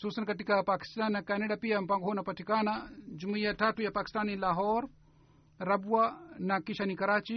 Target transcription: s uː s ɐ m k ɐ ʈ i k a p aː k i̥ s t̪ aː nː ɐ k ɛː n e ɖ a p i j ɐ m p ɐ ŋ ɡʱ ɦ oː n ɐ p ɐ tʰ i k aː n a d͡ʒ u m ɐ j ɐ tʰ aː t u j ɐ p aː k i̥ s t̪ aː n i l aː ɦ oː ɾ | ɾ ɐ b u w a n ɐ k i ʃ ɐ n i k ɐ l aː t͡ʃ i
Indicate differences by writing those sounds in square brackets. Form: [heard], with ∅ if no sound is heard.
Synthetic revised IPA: s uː s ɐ [n] k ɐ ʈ i k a p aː k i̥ s t̪ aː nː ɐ k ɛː n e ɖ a p i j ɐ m p ɐ ŋ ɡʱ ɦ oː n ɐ p ɐ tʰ i k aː n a d͡ʒ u m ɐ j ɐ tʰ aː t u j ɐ p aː k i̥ s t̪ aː n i l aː ɦ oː ɾ | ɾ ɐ b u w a n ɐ k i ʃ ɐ n i k ɐ [ɾ] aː t͡ʃ i